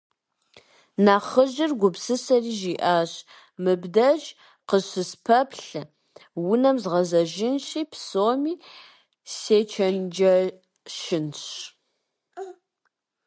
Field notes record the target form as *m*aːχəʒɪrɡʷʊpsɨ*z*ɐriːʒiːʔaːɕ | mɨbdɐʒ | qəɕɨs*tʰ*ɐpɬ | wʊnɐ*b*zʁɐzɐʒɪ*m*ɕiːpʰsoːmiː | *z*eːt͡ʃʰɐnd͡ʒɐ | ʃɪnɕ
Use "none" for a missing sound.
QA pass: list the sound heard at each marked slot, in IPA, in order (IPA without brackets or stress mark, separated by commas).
n, s, pʰ, m, n, s